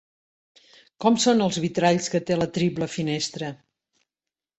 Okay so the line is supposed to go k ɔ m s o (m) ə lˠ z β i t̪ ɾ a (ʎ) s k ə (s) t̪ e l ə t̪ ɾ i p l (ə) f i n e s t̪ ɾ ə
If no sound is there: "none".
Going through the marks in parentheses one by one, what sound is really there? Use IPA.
n, ʎ, none, ə

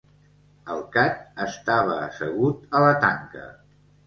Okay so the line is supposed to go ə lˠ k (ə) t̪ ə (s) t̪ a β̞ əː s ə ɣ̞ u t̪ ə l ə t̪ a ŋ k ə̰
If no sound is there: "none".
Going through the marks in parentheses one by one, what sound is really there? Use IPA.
a, s

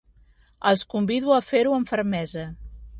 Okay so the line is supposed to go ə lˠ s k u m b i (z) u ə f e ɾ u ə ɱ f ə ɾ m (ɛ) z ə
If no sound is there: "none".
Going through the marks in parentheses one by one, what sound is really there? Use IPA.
ð, ɛ

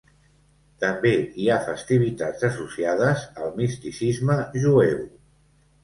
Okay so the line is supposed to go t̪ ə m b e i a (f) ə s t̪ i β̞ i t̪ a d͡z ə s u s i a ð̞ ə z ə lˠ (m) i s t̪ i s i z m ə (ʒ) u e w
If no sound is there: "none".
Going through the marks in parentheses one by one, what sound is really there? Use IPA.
f, m, ʒ

